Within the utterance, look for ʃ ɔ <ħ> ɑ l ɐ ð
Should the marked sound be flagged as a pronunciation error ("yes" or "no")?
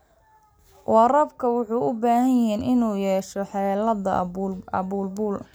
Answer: no